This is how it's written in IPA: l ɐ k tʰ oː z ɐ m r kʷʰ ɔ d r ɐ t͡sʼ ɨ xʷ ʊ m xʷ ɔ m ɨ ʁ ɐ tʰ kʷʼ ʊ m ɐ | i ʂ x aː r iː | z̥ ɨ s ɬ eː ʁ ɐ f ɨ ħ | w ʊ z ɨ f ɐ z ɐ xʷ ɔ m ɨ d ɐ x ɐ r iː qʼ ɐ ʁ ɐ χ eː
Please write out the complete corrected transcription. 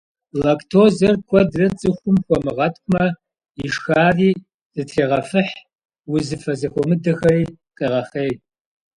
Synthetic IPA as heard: l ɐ k tʰ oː z ɐ r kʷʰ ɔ d r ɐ t͡sʼ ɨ xʷ ʊ m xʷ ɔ m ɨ ʁ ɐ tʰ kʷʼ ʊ m ɐ | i ʂ x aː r iː | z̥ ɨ t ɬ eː ʁ ɐ f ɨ ħ | w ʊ z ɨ f ɐ z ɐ xʷ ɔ m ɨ d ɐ x ɐ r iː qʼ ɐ ʁ ɐ χ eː